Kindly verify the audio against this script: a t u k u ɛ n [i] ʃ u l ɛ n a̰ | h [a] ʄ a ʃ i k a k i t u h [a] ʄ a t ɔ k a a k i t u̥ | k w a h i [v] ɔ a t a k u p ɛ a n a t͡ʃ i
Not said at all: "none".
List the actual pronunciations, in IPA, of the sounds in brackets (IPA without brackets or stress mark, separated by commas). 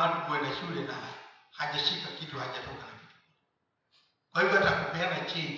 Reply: a, a, a, v